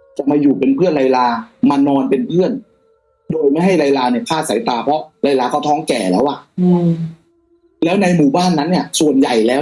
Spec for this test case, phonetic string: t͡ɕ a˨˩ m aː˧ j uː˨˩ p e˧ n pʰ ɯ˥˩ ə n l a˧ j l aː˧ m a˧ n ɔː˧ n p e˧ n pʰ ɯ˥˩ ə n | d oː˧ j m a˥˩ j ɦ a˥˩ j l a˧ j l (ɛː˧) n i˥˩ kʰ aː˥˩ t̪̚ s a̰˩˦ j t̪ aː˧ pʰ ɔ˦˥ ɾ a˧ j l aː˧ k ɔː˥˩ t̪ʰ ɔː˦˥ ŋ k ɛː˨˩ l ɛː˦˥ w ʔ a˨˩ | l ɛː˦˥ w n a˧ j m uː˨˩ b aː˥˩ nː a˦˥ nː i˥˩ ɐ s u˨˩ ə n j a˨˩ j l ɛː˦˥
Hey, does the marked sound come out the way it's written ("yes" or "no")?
no